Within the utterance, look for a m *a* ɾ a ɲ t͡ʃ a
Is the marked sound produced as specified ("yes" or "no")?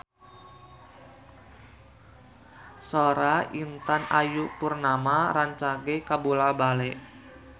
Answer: yes